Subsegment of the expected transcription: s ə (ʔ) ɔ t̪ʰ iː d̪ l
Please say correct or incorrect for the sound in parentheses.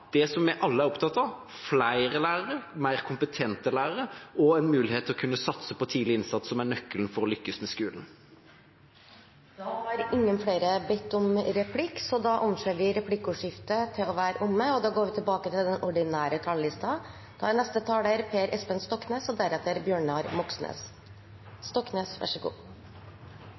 incorrect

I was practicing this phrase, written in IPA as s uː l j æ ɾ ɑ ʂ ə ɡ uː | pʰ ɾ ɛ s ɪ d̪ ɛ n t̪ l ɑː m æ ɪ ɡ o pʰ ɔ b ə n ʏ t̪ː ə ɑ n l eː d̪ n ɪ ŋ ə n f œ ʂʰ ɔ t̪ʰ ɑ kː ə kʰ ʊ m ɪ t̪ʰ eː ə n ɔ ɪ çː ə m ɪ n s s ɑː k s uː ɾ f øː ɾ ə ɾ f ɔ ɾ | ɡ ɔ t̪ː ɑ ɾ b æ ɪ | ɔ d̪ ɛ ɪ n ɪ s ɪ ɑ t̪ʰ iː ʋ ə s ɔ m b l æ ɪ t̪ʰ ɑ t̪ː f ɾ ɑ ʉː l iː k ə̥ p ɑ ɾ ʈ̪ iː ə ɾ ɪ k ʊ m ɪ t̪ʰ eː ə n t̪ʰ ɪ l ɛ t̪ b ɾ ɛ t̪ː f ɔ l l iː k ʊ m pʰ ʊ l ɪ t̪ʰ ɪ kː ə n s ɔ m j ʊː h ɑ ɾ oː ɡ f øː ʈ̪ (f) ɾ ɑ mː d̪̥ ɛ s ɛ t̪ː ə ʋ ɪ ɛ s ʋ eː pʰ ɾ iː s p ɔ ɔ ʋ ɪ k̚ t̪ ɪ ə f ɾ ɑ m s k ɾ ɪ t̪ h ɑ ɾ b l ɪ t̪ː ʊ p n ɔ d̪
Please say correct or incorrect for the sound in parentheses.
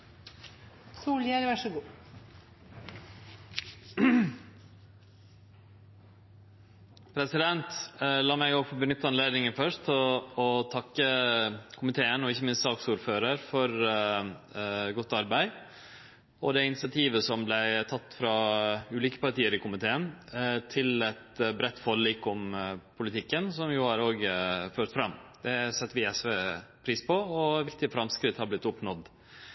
correct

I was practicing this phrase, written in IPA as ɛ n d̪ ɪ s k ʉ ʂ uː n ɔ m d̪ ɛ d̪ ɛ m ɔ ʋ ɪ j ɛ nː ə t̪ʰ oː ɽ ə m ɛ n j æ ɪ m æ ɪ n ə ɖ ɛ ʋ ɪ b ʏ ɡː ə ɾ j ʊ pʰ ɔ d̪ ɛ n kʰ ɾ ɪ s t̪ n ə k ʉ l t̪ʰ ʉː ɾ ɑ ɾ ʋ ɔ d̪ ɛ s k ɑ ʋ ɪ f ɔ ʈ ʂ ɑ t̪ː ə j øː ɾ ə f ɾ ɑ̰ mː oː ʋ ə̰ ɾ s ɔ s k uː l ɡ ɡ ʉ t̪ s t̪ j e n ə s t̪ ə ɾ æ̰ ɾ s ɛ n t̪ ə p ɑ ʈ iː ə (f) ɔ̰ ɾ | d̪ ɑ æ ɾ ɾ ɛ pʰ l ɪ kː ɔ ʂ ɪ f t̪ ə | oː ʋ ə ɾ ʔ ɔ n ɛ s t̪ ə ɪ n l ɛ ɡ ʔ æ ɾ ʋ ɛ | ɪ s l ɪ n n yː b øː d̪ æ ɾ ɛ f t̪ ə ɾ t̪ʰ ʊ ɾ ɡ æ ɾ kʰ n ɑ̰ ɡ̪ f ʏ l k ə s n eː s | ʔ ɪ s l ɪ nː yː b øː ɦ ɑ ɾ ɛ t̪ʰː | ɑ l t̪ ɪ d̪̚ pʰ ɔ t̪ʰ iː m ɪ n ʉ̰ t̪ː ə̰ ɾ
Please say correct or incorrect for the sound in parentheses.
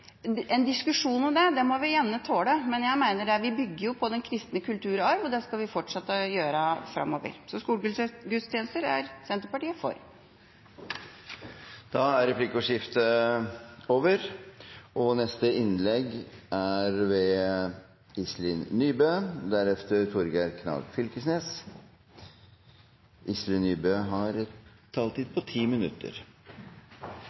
correct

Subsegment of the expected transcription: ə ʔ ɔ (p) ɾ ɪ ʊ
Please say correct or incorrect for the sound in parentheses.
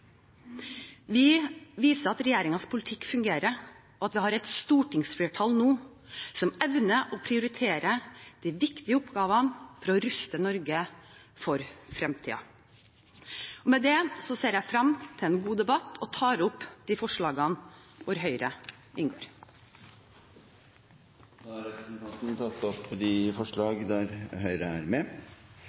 incorrect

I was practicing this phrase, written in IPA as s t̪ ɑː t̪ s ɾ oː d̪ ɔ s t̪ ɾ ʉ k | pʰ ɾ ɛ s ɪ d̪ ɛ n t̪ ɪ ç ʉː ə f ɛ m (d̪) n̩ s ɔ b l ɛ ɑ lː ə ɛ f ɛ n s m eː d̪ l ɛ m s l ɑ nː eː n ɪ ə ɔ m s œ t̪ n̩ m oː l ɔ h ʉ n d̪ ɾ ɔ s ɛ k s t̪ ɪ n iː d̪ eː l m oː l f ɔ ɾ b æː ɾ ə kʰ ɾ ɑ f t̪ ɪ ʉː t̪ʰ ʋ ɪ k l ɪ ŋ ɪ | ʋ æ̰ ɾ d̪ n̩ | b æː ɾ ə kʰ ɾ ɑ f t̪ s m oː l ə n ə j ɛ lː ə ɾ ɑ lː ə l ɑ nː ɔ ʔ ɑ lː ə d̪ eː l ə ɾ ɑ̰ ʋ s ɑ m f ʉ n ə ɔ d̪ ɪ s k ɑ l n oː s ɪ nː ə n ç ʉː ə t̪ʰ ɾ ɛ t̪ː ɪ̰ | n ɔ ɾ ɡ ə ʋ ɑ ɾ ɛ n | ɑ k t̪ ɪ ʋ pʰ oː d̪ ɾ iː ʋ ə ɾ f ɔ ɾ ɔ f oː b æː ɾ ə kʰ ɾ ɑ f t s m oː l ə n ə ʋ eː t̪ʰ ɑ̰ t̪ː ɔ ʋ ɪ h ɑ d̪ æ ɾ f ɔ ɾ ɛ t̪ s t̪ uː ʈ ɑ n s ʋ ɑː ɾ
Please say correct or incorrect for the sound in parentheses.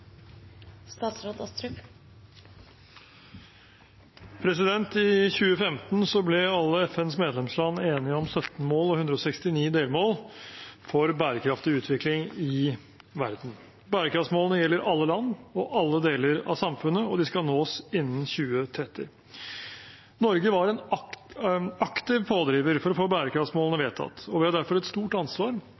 incorrect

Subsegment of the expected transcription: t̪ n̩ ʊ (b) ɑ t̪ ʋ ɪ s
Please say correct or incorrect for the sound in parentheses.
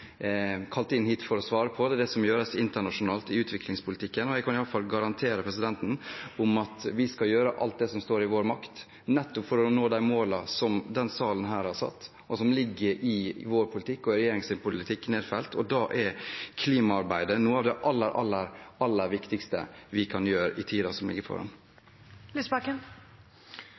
incorrect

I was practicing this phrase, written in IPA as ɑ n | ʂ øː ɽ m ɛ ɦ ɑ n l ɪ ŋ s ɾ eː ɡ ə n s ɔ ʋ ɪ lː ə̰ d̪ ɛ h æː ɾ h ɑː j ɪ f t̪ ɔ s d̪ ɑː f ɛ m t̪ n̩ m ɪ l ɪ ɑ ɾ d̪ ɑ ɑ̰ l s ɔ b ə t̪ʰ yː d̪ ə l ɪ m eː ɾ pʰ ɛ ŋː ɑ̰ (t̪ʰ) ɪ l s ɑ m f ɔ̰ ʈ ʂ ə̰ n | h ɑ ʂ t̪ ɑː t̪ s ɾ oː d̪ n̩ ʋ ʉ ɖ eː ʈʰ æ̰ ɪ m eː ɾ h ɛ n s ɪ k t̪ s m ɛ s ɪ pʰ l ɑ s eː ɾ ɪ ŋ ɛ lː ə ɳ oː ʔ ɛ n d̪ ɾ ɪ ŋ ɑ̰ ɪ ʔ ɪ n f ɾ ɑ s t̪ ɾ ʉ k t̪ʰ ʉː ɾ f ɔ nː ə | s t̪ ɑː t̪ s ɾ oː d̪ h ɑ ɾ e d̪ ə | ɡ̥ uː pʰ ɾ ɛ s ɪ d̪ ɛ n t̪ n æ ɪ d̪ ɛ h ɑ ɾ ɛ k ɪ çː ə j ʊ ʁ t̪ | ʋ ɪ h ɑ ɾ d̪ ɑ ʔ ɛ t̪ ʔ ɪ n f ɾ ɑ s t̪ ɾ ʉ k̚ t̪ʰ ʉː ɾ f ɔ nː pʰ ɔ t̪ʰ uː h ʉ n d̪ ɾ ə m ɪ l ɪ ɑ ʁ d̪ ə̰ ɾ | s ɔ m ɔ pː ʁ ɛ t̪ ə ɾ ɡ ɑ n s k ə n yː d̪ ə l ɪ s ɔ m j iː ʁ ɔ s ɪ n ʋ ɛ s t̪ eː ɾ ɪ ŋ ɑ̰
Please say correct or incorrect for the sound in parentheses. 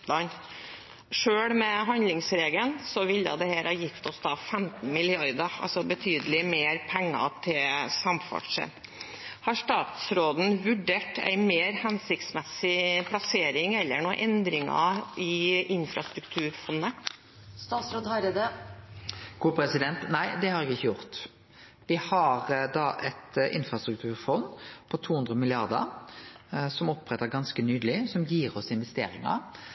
correct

